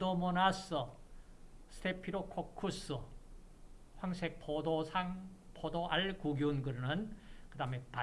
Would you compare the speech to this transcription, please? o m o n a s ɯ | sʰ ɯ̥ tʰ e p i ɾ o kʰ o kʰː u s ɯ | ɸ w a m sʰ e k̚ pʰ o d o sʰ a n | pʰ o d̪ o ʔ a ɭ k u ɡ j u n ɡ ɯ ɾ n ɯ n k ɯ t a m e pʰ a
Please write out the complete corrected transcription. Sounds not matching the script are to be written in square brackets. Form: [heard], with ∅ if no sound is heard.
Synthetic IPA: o m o n a s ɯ | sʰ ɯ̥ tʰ e [pʰ] i ɾ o kʰ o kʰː u s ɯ | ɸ w a [ŋ] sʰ e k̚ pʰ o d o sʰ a [ŋ] | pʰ o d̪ o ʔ a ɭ k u ɡ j u n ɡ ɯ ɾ n ɯ n k ɯ [d] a m e [p] a